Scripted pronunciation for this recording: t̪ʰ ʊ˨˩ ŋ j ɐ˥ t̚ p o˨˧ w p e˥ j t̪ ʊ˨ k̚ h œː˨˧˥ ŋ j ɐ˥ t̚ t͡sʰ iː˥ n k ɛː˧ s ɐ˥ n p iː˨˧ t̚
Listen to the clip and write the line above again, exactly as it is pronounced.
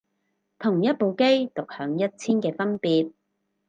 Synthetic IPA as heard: t̪ʰ ʊ˨˩ ŋ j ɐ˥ t̚ p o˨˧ w k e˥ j t̪ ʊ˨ k̚ h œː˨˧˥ ŋ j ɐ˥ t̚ t͡sʰ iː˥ n k ɛː˧ f ɐ˥ n p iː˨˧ t̚